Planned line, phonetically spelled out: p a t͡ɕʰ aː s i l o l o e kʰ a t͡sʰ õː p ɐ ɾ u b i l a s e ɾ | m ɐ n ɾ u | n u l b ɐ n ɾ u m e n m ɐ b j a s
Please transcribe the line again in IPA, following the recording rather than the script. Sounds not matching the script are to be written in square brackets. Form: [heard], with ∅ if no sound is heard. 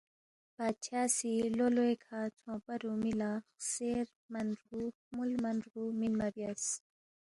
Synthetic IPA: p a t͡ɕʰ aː s i l o l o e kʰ a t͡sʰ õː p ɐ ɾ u [m] i l a s e ɾ | m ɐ n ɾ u | [m] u l [m] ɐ n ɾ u m [i] n m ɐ b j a s

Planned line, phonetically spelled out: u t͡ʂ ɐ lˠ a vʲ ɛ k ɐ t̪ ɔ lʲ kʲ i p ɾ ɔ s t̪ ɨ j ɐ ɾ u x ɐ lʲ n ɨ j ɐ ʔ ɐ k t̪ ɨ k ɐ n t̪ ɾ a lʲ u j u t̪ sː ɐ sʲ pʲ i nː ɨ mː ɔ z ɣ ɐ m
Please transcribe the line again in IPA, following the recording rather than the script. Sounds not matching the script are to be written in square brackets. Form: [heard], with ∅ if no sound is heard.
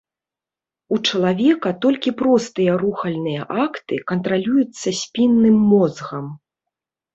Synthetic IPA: u t͡ʂ ɐ lˠ a vʲ ɛ k ɐ t̪ ɔ lʲ kʲ i p ɾ ɔ s t̪ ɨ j ɐ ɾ u x ɐ lʲ n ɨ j ɐ ʔ [a] k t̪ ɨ k ɐ n t̪ ɾ a lʲ u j u t̪ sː ɐ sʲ pʲ i nː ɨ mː ɔ z ɣ ɐ m

